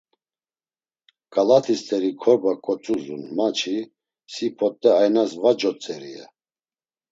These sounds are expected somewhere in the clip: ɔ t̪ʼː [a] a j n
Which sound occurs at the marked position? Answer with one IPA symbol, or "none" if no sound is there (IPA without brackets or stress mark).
ɛ